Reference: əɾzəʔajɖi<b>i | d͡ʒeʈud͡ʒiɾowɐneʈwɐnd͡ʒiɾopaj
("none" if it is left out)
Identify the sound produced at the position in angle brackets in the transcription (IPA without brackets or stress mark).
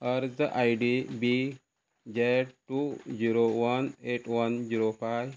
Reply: b